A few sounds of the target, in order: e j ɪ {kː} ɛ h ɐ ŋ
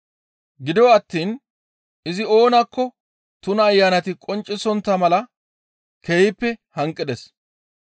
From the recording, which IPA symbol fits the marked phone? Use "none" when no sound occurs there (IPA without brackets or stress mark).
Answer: pː